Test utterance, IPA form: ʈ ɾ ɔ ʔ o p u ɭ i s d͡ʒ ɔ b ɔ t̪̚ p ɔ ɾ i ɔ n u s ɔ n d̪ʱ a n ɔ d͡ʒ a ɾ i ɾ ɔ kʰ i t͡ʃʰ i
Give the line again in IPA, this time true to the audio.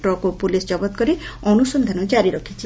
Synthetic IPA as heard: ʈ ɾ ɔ k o p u l i s d͡ʒ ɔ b ɔ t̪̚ k ɔ ɾ i ɔ n u s ɔ n d̪ʱ a n ɔ d͡ʒ a ɾ i ɾ ɔ kʰ i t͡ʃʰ i

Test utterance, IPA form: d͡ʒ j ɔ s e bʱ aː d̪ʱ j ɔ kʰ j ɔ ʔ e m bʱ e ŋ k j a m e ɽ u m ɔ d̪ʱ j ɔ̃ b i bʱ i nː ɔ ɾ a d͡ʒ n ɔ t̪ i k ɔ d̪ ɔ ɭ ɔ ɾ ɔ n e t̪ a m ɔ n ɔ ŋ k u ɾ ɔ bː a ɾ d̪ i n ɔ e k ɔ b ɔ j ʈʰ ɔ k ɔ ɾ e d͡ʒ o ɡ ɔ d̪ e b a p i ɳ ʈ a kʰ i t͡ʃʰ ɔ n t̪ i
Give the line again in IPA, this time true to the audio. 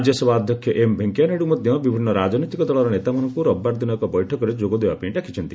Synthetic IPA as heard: d͡ʒ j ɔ s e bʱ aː d̪ʱ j ɔ kʰ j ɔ ʔ e m bʱ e ŋ k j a n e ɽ u m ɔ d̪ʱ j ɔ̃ b i bʱ i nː ɔ ɾ a d͡ʒ n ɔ t̪ i k ɔ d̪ ɔ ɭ ɔ ɾ ɔ n e t̪ a m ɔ n ɔ ŋ k u ɾ ɔ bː a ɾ d̪ i n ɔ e k ɔ b ɔ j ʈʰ ɔ k ɔ ɾ e d͡ʒ o ɡ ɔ d̪ e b a p i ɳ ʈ a kʰ i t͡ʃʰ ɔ n t̪ i

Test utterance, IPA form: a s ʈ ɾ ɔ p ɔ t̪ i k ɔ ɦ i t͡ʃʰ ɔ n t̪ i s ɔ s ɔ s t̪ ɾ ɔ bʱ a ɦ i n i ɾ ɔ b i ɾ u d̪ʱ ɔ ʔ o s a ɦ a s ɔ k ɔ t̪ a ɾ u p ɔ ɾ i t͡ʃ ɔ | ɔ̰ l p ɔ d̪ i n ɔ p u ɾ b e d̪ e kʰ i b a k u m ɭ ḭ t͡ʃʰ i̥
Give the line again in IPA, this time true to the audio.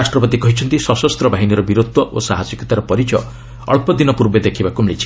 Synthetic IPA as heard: a s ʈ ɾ ɔ p ɔ t̪ i k ɔ ɦ i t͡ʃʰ ɔ n t̪ i s ɔ s ɔ s t̪ ɾ ɔ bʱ a ɦ i n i ɾ ɔ b i ɾ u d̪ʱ ɔ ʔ o s a ɦ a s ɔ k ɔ t̪ a ɾ ɔ p ɔ ɾ i t͡ʃ ɔ | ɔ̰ ɭ p ɔ d̪ i n ɔ p u ɾ b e d̪ e kʰ i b a k u m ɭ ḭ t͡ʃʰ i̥

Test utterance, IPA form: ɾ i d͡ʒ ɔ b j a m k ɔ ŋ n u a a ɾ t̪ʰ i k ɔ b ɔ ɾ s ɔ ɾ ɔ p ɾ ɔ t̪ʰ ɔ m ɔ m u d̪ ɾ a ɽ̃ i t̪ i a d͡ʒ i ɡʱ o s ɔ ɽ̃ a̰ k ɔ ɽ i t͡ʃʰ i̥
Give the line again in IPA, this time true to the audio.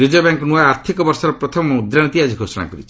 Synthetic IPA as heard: ɾ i d͡ʒ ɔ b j a ŋ k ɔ n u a a ɾ t̪ʰ i k ɔ b ɔ ɾ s ɔ ɾ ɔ p ɾ ɔ t̪ʰ ɔ m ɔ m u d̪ ɾ a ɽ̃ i t̪ i a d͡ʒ i ɡʱ o s ɔ ɽ̃ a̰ k ɔ ɾ i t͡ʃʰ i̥

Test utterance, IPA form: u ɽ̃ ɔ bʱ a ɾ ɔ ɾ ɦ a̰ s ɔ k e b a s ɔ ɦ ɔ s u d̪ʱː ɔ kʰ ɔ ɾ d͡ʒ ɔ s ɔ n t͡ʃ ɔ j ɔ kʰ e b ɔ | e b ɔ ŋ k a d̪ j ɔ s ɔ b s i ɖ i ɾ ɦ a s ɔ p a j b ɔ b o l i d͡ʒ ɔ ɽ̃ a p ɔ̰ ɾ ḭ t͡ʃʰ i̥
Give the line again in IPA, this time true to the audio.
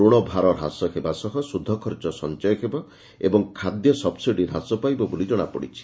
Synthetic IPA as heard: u ɽ̃ ɔ bʱ a ɾ ɔ ɾ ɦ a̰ s ɔ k e b a s ɔ ɦ ɔ s u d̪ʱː ɔ kʰ ɔ ɾ d͡ʒ ɔ s ɔ n t͡ʃ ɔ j ɔ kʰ e b ɔ | e b ɔ ŋ kʰ a d̪ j ɔ s ɔ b s i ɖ i ɾ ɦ a s ɔ p a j b ɔ b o l i d͡ʒ ɔ ɽ̃ a p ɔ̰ ɽ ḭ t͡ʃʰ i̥

